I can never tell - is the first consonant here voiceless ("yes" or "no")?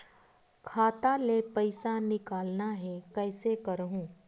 yes